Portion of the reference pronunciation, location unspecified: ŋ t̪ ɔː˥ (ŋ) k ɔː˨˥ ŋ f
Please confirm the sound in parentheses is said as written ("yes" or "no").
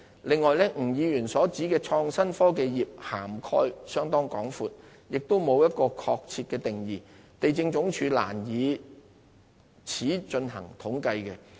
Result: yes